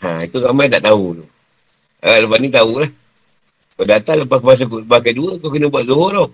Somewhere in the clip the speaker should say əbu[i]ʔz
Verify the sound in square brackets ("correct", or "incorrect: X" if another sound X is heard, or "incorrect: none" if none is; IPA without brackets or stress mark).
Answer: incorrect: a